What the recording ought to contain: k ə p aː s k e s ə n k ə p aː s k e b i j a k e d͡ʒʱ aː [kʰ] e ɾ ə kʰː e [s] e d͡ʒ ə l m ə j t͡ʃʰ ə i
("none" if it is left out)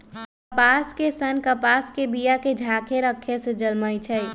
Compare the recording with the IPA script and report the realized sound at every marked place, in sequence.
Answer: kʰ, s

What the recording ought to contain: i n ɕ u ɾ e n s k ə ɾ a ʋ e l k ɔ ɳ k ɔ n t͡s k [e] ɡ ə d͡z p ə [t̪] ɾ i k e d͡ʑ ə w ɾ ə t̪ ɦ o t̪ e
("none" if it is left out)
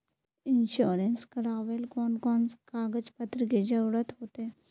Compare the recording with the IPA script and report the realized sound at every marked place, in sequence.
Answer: a, t̪

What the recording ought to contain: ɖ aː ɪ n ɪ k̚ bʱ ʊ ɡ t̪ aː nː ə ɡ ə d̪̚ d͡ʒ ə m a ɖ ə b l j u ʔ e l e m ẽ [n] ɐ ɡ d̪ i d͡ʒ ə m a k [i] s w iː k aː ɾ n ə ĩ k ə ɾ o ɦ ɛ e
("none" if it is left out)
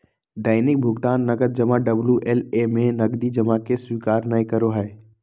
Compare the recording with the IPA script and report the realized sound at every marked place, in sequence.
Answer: n, e

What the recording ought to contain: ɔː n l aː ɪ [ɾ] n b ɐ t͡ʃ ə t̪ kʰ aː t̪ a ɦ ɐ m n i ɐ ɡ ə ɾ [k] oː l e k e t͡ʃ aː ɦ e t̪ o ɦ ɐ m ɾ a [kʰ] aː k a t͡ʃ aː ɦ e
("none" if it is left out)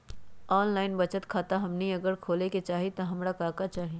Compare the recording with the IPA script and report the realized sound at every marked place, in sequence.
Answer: none, kʰ, k

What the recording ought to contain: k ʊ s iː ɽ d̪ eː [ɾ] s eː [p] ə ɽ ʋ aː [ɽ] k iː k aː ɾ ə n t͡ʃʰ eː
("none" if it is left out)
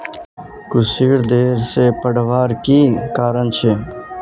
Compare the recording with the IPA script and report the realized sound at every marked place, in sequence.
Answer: ɾ, p, ɾ

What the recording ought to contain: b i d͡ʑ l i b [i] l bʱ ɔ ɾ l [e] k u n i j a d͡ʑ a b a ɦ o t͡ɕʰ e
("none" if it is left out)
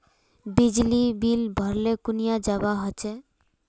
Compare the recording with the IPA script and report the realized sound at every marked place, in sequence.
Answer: i, e

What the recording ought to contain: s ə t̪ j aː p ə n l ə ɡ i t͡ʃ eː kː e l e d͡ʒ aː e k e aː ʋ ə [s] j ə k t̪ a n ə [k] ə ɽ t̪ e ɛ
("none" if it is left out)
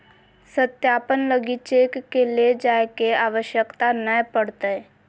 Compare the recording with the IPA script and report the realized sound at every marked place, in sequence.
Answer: ʃ, p

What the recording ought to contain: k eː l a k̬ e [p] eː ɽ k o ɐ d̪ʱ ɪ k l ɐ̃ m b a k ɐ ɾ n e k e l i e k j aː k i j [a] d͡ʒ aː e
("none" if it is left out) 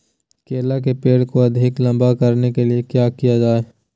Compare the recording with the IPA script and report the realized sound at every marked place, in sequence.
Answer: p, a

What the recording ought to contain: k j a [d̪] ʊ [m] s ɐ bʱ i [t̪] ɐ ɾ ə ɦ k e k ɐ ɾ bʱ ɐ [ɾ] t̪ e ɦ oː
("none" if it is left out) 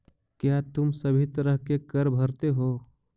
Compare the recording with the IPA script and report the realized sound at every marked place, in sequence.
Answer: t̪, m, t̪, ɾ

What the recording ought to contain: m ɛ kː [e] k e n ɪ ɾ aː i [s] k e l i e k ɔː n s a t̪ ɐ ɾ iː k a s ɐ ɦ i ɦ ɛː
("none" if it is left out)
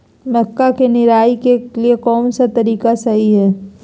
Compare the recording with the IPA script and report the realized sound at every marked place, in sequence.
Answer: a, none

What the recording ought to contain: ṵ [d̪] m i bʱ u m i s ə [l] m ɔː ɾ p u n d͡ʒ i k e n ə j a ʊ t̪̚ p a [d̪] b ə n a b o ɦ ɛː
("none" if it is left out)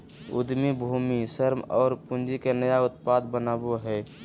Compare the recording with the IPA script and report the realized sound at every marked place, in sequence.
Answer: d̪, ɾ, d̪

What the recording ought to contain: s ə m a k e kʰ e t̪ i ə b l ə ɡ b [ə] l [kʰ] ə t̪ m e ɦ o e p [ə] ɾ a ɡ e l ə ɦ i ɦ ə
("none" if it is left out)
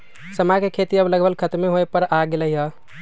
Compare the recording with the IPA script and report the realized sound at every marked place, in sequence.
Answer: ə, kʰ, ə

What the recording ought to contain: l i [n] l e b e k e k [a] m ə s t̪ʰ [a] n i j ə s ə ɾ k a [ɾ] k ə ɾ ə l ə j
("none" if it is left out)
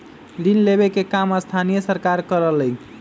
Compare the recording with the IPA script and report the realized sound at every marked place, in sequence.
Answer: n, a, a, ɾ

